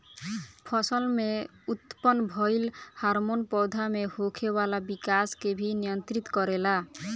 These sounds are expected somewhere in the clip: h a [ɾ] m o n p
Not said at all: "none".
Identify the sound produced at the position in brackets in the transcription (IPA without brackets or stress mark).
ɾ